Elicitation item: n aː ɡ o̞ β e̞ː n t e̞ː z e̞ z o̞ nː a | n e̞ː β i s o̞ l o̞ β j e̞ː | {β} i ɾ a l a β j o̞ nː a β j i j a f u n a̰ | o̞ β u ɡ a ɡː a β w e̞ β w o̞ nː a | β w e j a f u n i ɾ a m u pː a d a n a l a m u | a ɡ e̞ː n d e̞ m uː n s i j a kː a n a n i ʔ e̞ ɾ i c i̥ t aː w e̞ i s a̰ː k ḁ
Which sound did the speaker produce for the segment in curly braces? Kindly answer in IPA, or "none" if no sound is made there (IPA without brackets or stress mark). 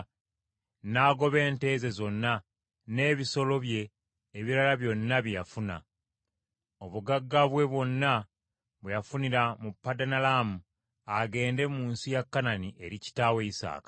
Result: β